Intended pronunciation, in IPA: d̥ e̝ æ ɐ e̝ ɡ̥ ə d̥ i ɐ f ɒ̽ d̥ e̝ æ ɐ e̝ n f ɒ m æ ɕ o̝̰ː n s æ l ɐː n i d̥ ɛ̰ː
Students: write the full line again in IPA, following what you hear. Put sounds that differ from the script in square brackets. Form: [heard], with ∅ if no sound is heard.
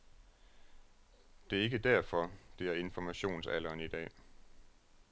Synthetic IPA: d̥ e̝ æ ɐ e̝ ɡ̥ ə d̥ [æ] ɐ f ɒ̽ d̥ e̝ æ ɐ e̝ n f ɒ m æ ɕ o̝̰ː n s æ l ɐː n i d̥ ɛ̰ː

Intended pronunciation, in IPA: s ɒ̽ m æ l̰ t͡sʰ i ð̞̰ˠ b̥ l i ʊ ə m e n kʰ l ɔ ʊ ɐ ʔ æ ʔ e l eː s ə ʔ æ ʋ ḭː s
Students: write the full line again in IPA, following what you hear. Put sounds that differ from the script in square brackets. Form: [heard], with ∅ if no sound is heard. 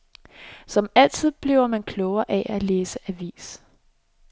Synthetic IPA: s ɒ̽ m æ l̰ t͡sʰ i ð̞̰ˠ b̥ l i ʊ [ɐ] m [æ] n kʰ l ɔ ʊ ɐ ʔ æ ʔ [æ] l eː s ə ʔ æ ʋ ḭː s

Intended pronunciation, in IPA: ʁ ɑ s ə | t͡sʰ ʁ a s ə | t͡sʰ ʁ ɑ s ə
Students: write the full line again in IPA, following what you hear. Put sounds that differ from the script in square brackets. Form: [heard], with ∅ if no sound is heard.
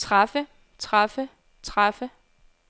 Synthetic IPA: ʁ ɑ [f] ə | t͡sʰ ʁ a [f] ə | t͡sʰ ʁ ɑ [f] ə

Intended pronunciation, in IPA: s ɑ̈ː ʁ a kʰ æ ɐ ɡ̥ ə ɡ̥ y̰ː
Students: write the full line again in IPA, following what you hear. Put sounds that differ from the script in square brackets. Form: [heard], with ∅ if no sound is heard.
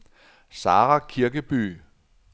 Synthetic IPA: s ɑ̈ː ʁ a kʰ [i] ɐ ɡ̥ ə [b̥] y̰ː

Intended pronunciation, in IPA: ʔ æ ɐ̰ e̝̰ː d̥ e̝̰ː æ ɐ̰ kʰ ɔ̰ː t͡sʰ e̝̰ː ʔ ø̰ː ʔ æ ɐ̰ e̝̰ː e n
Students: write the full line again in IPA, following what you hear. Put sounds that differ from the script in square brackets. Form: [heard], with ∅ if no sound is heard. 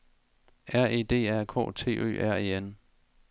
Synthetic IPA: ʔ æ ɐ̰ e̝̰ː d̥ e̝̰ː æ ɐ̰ kʰ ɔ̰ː t͡sʰ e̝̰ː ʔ ø̰ː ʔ æ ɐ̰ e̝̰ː e n

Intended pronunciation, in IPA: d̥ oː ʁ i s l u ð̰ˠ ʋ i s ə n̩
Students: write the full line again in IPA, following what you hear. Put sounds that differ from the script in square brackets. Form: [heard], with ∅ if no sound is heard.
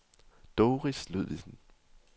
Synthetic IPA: d̥ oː ʁ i s l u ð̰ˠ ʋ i s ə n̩

